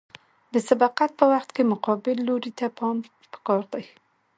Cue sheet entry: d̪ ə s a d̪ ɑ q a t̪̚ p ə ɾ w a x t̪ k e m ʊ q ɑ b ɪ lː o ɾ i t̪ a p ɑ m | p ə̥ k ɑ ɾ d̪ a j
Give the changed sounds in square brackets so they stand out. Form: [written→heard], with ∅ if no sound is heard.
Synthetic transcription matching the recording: d̪ ə s a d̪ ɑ q a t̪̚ p ə [ɾ→∅] w a x t̪ k e m ʊ q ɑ b ɪ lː o ɾ i t̪ a p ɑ m | p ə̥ k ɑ ɾ d̪ a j